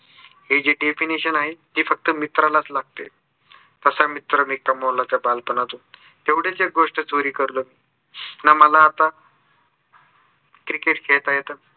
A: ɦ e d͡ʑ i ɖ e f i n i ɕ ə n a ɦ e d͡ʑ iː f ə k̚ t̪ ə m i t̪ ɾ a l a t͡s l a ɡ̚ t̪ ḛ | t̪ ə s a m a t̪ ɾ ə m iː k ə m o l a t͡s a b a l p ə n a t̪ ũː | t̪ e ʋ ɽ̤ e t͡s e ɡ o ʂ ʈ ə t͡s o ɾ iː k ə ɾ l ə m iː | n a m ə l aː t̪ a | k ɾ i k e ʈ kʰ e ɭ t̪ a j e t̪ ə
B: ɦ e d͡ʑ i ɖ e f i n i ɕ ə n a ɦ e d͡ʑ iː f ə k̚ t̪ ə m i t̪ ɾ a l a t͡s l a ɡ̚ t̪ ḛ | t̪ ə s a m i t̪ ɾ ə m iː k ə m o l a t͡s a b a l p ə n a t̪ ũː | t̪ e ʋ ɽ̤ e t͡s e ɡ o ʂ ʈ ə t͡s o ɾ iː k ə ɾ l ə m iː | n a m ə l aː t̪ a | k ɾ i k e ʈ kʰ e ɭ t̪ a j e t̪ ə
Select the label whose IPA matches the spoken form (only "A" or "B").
B